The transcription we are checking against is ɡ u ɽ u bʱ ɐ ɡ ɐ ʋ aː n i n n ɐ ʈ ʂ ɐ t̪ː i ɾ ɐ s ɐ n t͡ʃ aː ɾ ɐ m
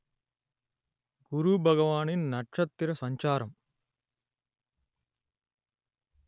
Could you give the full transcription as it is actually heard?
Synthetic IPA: ɡ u ɾ u bʱ ɐ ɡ ɐ ʋ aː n i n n ɐ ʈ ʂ ɐ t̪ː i ɾ ɐ s ɐ ɲ t͡ʃ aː ɾ ɐ m